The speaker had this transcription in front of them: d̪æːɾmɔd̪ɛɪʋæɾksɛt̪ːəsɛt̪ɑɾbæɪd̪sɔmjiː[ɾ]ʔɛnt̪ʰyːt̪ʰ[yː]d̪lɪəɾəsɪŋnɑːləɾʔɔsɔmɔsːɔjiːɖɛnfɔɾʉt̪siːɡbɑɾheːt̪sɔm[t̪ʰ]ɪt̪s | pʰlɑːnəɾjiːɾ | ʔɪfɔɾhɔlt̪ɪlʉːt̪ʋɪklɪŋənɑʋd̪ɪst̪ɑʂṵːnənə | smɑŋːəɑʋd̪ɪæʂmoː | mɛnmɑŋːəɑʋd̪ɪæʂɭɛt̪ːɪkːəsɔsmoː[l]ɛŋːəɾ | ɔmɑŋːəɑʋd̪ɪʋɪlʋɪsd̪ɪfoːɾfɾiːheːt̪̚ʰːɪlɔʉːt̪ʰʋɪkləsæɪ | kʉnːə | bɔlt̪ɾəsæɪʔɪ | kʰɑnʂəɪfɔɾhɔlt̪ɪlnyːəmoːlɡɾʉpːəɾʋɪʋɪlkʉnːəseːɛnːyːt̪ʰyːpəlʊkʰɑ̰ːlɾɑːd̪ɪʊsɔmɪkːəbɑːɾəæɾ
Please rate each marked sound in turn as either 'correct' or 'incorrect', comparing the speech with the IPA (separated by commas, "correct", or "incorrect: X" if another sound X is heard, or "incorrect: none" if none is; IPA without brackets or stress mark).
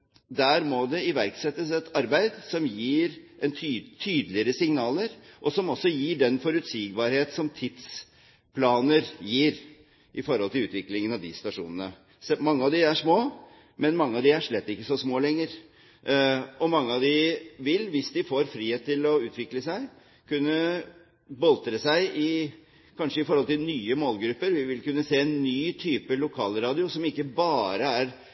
correct, correct, correct, correct